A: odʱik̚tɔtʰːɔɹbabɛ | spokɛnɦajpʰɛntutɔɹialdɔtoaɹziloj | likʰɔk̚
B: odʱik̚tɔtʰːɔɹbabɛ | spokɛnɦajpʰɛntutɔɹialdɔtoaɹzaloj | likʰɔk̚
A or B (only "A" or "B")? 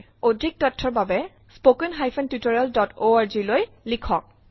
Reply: A